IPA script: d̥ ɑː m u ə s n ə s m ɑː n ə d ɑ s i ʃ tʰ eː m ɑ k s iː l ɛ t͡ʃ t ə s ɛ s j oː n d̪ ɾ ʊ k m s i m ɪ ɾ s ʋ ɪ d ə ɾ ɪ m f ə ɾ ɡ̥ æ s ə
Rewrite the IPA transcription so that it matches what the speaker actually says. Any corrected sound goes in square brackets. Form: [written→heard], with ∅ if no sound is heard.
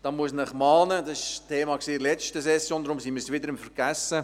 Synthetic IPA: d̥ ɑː m u ə s n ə [s→χ] m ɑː n ə d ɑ s [i→ɪ] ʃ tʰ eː m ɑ k s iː l ɛ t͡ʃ t ə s ɛ s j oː n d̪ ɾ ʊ [k→∅] m s i m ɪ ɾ s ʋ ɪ d ə ɾ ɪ m f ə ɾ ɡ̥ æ s ə